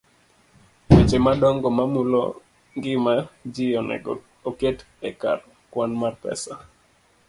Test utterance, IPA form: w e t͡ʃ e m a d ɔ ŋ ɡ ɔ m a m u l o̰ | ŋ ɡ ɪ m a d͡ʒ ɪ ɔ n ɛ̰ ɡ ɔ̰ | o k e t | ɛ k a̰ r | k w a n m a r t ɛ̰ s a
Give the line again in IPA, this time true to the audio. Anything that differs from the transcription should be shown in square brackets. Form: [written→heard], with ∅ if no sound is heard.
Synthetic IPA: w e t͡ʃ e m a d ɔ ŋ ɡ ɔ m a m u l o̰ | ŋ ɡ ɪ m a d͡ʒ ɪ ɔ n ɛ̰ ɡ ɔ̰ | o k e t | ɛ k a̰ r | k w a n m a r [t→p] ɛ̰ s a